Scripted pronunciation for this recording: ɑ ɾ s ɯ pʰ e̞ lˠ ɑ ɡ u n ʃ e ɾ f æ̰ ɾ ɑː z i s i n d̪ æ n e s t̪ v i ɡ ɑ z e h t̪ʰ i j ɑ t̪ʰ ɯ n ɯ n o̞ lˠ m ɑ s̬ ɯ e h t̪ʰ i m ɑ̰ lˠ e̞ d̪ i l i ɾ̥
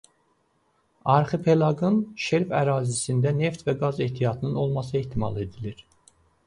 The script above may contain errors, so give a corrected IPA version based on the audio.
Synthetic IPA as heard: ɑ ɾ χ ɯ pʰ e̞ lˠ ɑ ɡ ɯ n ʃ e ɾ f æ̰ ɾ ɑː z i s i n d̪ æ n e f t̪ v æ ɡ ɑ z e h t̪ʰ i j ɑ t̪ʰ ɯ n ɯ n o̞ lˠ m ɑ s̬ ɯ e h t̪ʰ i m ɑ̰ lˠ e̞ d̪ i l i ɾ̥